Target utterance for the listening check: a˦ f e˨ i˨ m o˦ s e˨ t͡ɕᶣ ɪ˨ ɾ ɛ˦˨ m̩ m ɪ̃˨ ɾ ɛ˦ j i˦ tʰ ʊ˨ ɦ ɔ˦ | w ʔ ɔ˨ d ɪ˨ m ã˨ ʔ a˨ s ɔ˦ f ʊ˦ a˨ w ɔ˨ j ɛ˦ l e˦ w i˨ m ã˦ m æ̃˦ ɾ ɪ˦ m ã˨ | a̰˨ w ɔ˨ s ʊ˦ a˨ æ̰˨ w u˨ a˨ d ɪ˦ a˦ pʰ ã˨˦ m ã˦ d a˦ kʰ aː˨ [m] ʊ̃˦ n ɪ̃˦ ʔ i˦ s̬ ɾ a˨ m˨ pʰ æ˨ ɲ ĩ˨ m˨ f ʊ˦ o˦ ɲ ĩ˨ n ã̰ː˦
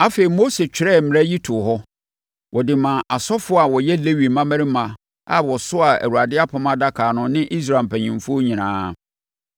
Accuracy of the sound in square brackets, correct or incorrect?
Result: incorrect: n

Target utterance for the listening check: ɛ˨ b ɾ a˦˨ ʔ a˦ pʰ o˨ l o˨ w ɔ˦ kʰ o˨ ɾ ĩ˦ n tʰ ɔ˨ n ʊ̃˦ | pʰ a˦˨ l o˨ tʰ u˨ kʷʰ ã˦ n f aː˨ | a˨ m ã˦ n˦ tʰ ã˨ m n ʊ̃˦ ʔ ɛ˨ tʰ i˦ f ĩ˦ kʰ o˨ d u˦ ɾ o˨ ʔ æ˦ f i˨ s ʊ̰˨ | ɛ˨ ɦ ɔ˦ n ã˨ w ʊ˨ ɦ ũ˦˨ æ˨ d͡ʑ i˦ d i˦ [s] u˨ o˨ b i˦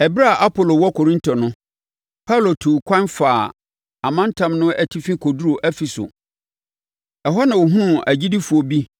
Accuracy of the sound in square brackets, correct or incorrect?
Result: incorrect: f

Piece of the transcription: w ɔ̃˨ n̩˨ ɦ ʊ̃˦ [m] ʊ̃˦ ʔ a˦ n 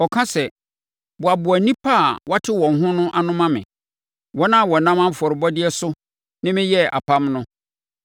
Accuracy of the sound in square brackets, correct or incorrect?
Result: incorrect: n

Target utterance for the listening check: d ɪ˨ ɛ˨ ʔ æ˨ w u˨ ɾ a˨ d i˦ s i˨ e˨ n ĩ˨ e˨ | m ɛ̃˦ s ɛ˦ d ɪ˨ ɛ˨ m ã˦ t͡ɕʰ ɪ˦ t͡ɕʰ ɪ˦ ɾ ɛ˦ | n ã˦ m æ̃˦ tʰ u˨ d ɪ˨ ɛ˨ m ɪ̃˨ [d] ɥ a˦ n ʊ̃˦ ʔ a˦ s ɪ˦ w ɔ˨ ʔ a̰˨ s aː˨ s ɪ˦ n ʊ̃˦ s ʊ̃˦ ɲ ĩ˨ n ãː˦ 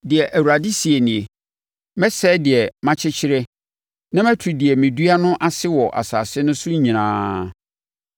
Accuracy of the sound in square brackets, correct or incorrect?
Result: correct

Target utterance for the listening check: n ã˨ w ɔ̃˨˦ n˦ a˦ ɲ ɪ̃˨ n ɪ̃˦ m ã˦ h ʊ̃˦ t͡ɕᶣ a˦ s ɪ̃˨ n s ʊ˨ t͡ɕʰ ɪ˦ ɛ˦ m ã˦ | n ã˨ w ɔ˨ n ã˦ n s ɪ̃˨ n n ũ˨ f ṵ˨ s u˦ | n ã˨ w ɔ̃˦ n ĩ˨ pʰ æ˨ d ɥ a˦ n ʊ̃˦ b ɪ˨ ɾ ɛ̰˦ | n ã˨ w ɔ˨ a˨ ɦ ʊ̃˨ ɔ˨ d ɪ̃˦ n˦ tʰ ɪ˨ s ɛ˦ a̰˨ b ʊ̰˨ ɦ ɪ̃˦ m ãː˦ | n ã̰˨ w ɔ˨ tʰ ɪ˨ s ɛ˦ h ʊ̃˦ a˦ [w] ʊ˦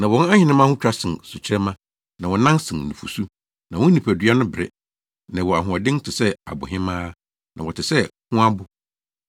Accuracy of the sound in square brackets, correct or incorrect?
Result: incorrect: b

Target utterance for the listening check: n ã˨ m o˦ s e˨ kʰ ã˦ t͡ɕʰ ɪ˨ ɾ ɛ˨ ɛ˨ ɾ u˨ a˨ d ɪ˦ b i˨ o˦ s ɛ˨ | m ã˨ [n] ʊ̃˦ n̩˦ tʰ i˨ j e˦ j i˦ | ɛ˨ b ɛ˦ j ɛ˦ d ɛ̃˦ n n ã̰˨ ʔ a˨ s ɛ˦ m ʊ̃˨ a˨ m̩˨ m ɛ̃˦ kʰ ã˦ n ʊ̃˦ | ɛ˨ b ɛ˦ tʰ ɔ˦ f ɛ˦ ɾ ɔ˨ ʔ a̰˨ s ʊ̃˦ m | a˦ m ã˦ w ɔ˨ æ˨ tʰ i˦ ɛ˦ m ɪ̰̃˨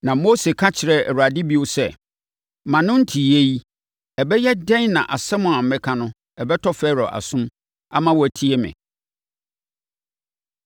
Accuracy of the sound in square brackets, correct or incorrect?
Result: correct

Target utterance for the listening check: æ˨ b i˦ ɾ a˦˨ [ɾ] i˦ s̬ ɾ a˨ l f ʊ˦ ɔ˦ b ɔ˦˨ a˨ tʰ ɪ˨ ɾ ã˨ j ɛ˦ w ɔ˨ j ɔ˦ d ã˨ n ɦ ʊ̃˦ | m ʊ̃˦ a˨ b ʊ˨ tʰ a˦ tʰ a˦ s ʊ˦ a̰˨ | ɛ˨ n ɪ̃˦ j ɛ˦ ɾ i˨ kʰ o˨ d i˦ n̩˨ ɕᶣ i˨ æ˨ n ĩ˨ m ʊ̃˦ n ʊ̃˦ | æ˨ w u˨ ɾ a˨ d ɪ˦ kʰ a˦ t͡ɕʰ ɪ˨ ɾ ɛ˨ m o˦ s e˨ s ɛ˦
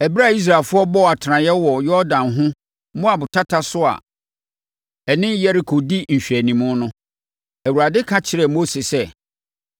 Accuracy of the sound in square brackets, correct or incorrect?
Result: incorrect: none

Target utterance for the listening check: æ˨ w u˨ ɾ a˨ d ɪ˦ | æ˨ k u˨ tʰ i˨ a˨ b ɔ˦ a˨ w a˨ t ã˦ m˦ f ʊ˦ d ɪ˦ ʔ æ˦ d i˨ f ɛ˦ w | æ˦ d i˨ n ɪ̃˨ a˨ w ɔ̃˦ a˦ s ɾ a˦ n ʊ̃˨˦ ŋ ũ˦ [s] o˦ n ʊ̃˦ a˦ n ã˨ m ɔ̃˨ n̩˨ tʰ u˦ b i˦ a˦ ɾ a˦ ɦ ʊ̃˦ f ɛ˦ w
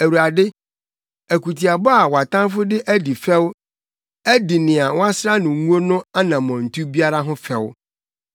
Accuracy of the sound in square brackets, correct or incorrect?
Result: incorrect: none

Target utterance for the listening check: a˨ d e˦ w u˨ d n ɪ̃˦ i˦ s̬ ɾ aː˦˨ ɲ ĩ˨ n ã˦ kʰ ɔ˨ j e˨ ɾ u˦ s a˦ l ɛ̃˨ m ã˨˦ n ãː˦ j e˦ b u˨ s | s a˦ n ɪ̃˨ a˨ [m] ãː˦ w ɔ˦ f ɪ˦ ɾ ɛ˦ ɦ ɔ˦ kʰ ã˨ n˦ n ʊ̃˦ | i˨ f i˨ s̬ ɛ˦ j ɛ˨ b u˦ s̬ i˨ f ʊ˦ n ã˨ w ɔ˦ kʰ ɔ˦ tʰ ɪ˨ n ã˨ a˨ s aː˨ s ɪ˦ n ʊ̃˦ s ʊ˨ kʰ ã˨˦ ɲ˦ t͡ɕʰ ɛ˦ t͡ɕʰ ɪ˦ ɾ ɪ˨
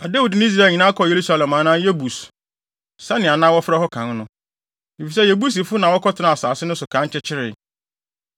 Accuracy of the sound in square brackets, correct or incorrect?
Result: incorrect: n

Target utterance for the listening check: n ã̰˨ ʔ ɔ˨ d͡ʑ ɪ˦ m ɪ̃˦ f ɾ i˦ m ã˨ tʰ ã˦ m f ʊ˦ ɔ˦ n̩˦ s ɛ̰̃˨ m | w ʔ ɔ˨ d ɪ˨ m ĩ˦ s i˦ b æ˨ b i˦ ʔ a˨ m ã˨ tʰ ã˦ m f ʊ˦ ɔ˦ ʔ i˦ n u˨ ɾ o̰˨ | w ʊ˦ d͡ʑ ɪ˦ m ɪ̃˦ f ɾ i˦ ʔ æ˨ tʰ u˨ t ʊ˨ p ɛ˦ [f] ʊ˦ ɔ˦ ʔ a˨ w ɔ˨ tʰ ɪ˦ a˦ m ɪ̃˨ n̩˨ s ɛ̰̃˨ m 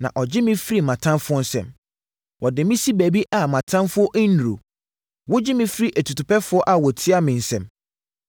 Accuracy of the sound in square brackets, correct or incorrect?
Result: correct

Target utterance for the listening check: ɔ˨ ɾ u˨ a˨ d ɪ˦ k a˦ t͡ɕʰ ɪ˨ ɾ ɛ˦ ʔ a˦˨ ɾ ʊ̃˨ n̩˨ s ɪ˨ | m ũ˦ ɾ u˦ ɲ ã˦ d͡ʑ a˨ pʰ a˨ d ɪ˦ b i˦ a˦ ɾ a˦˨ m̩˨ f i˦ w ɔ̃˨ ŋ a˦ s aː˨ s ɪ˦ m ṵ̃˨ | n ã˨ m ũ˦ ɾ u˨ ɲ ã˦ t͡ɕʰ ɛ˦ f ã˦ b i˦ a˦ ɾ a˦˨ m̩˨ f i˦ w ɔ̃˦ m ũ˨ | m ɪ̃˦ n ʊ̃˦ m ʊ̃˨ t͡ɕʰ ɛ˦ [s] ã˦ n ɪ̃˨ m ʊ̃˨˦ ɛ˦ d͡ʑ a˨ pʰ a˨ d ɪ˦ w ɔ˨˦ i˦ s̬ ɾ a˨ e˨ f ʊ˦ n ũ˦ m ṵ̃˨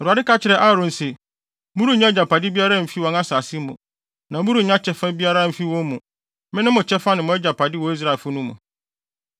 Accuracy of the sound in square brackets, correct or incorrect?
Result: incorrect: f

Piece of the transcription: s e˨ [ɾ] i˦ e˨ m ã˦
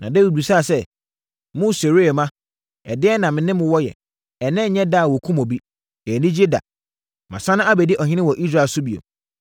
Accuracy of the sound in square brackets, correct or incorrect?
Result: correct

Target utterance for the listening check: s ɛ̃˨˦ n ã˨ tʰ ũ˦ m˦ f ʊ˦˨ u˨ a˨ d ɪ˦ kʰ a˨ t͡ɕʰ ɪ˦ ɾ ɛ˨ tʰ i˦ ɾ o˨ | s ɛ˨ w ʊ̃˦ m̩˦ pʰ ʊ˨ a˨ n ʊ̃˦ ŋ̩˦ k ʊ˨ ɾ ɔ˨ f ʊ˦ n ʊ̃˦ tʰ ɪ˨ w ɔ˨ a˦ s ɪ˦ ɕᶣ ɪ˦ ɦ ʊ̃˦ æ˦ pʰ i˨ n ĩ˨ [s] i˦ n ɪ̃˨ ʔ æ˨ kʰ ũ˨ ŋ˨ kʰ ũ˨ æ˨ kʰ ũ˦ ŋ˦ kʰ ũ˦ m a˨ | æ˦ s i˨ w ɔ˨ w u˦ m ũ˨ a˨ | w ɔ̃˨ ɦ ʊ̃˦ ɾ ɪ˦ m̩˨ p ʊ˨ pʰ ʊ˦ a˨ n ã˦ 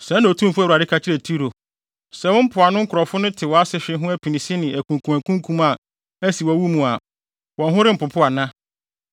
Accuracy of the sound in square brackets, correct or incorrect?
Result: correct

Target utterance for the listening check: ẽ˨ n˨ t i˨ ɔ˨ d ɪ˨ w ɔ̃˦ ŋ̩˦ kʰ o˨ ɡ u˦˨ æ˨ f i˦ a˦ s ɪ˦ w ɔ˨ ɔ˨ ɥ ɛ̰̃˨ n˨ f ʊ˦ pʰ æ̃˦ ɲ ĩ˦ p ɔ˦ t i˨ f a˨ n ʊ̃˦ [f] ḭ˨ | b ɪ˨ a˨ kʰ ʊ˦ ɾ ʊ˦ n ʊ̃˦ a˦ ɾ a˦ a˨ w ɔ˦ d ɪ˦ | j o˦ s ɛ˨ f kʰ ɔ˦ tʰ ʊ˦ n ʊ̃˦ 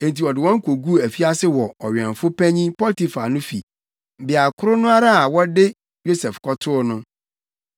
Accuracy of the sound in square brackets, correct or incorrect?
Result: correct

